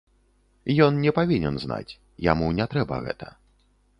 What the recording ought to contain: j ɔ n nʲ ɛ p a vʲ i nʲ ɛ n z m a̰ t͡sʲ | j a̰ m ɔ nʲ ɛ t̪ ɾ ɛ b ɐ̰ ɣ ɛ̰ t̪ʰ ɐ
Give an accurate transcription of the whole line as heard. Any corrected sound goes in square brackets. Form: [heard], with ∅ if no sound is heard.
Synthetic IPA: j ɔ n nʲ ɛ p a vʲ i nʲ ɛ n z [n] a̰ t͡sʲ | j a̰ m [u] nʲ ɛ t̪ ɾ ɛ b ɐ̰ ɣ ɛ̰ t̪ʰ ɐ